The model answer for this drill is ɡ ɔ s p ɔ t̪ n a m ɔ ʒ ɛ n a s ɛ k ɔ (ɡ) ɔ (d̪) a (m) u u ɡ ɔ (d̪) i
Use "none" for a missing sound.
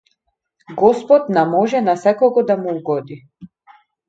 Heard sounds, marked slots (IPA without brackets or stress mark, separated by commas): ɡ, d̪, m, d̪